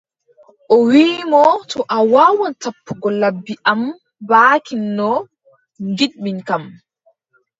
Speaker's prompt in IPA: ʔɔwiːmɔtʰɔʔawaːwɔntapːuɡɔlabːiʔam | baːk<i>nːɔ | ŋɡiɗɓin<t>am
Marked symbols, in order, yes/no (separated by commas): yes, no